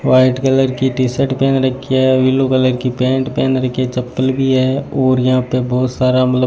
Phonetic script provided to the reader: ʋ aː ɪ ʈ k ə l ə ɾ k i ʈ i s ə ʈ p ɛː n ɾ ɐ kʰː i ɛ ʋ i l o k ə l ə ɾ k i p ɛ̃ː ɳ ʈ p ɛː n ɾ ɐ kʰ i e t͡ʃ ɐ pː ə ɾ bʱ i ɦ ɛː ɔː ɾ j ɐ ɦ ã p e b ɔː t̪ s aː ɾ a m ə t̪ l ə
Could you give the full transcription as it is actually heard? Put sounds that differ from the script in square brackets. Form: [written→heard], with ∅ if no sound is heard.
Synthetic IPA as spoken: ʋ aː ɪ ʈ k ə l ə ɾ k i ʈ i s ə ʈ p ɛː n ɾ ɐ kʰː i ɛ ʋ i l o k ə l ə ɾ k i p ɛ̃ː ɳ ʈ p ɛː n ɾ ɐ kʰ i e t͡ʃ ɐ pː ə [ɾ→l] bʱ i ɦ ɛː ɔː ɾ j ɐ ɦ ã p e b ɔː t̪ s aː ɾ a m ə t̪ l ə